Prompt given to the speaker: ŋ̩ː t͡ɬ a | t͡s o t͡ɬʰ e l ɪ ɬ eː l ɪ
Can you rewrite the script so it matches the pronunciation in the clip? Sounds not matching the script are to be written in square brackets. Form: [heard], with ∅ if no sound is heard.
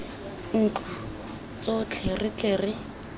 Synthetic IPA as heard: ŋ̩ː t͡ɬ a | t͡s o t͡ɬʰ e [r] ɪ [t͡ɬ] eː [r] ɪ